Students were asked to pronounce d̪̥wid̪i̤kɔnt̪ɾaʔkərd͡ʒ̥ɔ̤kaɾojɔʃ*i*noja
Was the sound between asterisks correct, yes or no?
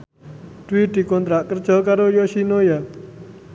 yes